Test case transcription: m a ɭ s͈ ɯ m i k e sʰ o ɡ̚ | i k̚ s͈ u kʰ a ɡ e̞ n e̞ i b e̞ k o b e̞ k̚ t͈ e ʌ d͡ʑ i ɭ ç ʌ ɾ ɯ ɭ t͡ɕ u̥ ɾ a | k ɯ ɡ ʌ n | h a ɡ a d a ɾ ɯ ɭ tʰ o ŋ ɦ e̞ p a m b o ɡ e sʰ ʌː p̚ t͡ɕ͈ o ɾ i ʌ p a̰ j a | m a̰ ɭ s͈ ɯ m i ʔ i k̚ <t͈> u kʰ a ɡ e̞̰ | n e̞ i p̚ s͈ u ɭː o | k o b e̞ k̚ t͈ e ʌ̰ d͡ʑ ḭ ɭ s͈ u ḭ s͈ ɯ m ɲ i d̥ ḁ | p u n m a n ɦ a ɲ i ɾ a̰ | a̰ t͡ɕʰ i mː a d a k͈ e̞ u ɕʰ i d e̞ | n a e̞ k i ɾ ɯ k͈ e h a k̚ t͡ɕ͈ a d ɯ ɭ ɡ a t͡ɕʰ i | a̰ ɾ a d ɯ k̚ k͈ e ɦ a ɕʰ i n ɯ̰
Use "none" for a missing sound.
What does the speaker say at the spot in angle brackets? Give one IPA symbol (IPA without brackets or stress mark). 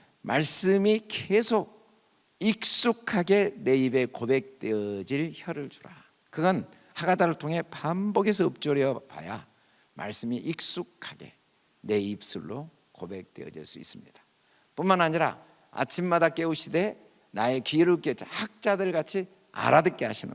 s͈